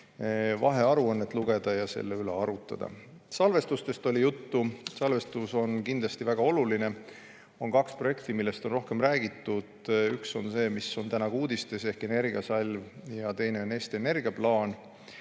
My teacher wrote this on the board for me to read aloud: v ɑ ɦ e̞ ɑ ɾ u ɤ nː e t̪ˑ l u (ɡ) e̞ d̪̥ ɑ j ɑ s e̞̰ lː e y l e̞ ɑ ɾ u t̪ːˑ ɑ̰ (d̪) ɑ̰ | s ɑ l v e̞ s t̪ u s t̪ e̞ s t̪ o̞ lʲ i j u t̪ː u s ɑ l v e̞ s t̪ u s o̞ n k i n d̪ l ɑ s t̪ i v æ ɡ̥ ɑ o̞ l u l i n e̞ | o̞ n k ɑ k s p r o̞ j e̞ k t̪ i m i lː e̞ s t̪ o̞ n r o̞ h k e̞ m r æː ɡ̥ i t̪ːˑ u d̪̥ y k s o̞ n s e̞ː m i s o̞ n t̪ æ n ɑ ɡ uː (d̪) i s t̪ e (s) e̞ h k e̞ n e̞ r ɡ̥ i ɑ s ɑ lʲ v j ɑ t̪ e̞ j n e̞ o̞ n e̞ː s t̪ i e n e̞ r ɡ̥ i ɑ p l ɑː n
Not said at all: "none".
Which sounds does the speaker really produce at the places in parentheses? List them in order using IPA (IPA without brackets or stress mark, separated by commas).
ɡ, d̪, d̪, s